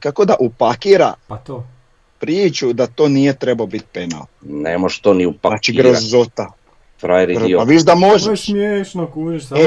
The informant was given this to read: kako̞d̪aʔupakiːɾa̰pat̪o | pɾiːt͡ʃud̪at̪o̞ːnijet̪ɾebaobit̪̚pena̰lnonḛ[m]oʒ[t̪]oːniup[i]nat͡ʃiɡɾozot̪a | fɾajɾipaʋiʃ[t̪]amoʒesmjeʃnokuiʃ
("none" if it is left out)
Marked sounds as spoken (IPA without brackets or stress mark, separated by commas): m, t̪, a, d̪